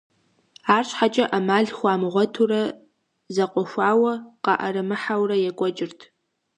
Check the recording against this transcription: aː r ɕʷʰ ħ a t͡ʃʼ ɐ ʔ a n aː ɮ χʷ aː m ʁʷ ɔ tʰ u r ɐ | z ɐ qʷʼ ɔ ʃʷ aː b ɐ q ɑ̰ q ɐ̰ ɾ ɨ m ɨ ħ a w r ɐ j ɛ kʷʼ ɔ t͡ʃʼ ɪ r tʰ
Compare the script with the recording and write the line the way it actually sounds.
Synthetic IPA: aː r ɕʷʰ ħ a t͡ʃʼ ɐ ʔ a m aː ɮ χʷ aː m ʁʷ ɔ tʰ u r ɐ | z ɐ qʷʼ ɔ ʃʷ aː w ɐ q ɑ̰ ʔ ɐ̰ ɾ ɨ m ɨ ħ a w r ɐ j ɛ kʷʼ ɔ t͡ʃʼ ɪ r tʰ